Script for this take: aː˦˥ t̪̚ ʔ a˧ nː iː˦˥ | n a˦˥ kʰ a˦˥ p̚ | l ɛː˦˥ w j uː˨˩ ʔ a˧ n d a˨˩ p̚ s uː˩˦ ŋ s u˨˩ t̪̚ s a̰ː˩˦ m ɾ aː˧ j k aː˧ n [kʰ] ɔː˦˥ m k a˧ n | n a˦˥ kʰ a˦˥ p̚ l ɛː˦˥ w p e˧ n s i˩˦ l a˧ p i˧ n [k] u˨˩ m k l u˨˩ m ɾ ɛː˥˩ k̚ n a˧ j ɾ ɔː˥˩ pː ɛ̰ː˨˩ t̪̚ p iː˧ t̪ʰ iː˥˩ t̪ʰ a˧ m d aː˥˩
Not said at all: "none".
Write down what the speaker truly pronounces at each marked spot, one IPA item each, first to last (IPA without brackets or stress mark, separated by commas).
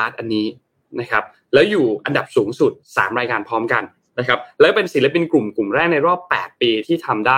pʰ, k